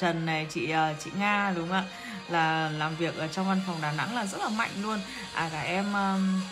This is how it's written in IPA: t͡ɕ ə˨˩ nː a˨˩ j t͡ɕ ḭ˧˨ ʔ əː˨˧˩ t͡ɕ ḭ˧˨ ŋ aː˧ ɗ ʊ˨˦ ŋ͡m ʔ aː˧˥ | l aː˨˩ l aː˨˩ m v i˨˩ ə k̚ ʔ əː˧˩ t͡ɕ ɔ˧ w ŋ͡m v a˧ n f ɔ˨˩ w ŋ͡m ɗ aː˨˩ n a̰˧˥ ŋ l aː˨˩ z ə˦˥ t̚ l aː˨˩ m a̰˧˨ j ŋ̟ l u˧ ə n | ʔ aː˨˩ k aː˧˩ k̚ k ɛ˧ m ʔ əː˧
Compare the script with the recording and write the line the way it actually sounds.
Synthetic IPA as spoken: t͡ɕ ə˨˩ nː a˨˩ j t͡ɕ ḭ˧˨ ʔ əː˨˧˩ t͡ɕ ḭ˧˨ ŋ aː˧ ɗ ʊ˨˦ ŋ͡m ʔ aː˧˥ | l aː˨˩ l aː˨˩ m v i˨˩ ə k̚ ʔ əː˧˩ t͡ɕ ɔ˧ w ŋ͡m v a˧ n f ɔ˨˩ w ŋ͡m ɗ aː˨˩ n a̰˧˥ ŋ l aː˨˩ z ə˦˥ t̚ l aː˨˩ m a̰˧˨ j ŋ̟ l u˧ ə n | ʔ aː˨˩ k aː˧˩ k̚ ʔ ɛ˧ m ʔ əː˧